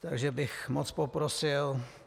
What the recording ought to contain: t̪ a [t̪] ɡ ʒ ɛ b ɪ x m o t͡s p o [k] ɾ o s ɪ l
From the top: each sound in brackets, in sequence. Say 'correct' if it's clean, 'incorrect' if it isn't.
incorrect, incorrect

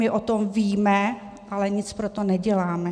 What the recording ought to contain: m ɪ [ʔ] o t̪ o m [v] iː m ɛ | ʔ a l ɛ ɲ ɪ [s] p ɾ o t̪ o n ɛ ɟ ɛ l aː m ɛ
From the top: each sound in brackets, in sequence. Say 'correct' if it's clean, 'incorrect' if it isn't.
correct, correct, incorrect

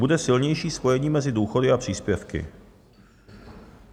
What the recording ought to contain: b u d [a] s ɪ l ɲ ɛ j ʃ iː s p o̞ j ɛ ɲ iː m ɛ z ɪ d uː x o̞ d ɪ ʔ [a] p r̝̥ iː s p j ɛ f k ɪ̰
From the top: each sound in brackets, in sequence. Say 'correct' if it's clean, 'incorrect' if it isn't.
incorrect, correct

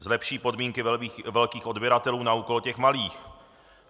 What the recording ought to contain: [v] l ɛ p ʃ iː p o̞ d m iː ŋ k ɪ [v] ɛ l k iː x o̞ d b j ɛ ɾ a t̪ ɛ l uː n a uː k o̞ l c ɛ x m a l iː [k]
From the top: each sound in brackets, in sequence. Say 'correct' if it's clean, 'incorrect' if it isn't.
incorrect, correct, incorrect

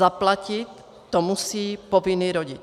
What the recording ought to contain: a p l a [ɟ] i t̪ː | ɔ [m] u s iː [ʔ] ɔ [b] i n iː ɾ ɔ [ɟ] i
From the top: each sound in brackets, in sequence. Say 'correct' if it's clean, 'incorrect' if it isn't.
incorrect, correct, incorrect, incorrect, correct

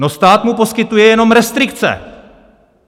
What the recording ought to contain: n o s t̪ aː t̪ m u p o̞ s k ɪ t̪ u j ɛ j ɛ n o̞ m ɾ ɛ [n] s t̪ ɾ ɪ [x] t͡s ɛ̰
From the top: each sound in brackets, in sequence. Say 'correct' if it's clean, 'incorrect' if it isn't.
incorrect, incorrect

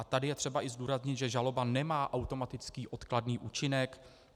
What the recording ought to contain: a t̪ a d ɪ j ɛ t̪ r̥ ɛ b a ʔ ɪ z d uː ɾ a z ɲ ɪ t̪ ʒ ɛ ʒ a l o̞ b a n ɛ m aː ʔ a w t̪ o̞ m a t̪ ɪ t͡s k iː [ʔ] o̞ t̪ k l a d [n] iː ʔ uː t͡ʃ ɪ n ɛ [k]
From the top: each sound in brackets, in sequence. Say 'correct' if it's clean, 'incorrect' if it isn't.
correct, correct, correct

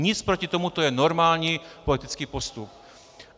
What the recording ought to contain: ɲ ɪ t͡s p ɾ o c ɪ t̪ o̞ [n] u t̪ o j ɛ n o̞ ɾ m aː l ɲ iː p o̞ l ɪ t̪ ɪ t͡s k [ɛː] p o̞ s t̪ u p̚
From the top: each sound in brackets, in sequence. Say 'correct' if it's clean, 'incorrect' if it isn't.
incorrect, incorrect

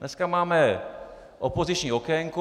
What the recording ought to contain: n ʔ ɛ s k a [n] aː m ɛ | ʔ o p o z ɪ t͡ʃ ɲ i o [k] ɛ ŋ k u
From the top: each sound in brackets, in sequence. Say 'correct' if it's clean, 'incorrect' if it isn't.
incorrect, correct

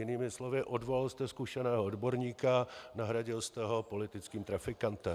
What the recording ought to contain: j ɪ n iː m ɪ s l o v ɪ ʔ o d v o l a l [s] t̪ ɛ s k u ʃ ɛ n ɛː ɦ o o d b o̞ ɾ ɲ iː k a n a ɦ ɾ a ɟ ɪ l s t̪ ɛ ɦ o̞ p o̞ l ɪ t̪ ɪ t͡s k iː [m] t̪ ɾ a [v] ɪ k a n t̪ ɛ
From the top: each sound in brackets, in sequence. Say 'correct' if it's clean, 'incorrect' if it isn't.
correct, correct, incorrect

